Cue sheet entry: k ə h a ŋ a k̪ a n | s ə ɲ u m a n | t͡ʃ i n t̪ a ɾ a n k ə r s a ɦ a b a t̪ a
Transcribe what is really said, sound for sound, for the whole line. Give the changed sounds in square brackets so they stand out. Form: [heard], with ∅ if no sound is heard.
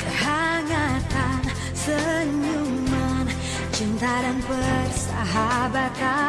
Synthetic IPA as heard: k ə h a ŋ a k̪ a n | s ə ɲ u m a n | t͡ʃ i n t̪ a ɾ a n [p] ə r s a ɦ a b a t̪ a